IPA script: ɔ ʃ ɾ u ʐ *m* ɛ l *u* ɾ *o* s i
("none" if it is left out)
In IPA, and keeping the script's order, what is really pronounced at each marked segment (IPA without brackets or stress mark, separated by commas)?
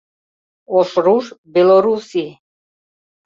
b, ɔ, u